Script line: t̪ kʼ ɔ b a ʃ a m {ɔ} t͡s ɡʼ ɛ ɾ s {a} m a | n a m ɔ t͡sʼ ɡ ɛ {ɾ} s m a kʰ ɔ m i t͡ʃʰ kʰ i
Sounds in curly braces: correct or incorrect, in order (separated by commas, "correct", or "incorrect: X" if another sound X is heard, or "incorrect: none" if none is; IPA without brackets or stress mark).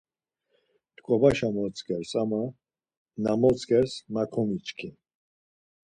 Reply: correct, correct, correct